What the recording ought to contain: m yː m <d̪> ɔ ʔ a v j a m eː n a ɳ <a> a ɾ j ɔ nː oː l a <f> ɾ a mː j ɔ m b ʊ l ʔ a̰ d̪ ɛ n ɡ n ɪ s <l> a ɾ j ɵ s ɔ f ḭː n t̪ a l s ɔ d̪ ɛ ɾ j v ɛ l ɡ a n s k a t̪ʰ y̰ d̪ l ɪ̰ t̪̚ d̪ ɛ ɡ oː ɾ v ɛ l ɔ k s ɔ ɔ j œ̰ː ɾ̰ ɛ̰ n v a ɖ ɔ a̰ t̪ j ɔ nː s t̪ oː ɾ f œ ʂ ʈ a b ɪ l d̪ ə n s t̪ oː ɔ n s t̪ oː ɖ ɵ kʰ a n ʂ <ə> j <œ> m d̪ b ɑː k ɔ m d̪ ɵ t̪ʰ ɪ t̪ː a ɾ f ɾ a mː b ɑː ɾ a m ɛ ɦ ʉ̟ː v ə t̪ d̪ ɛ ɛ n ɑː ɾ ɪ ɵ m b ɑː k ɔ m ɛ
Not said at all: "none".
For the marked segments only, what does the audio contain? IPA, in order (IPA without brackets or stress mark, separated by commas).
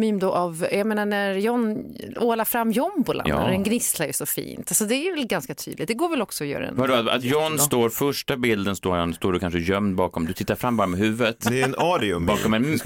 d̪, æ, f, l, ə, œ